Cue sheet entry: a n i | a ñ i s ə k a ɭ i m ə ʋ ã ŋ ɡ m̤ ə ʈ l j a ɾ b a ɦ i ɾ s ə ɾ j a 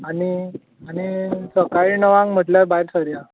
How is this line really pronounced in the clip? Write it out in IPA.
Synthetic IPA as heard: a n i | a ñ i s ə k a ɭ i n ə ʋ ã ŋ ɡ m̤ ə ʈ l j a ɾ b a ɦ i ɾ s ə ɾ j a

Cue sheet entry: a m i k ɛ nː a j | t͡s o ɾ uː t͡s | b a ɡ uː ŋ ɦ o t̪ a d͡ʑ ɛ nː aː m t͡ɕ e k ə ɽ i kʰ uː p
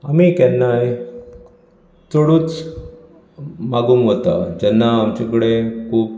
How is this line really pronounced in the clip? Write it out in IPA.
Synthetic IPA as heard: a m i k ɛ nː a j | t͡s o ɽ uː t͡s | m a ɡ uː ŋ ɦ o t̪ a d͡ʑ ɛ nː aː m t͡ɕ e k ə ɽ e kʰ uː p

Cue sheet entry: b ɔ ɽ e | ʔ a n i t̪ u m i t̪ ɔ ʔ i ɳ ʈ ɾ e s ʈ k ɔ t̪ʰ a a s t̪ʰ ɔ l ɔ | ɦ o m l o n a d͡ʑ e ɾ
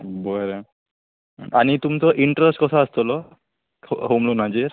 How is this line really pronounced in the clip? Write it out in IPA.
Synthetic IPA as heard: b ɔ ɾ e | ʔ a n i t̪ u m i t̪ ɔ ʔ i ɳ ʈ ɾ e s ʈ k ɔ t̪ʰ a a s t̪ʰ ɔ l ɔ | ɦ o m l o n a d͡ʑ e ɾ

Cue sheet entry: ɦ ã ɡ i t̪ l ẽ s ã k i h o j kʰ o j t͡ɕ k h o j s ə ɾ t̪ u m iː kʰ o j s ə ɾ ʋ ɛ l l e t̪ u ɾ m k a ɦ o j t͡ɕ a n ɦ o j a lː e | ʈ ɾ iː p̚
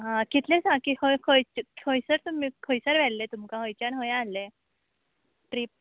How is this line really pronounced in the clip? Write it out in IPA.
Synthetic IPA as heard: ɦ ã k i t̪ l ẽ s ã k i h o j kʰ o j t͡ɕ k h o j s ə ɾ t̪ u m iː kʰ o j s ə ɾ ʋ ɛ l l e t̪ u m k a ɦ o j t͡ɕ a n ɦ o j a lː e | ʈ ɾ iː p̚

